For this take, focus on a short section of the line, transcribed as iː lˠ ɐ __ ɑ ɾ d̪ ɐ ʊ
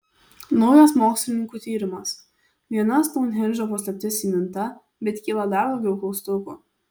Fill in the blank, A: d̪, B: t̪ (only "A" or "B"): A